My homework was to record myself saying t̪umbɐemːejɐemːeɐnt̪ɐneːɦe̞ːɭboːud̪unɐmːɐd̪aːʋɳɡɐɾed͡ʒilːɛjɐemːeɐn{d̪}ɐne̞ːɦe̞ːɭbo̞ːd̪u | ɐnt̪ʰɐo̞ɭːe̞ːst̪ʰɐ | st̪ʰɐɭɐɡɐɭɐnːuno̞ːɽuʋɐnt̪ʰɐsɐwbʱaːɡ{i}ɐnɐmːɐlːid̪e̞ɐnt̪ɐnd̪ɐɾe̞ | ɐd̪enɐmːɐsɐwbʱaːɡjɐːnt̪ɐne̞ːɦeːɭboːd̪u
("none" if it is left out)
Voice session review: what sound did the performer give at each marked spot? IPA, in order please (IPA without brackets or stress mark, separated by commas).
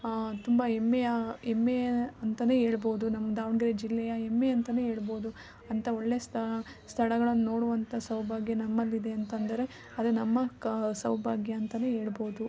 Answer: t̪, j